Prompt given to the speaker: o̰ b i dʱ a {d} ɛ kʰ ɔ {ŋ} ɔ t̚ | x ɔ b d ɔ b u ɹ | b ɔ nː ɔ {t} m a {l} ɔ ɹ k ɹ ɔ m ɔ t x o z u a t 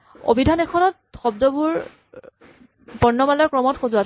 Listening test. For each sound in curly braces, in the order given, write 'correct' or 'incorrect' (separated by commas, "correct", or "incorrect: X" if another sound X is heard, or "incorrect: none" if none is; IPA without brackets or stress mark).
incorrect: n, incorrect: n, incorrect: none, correct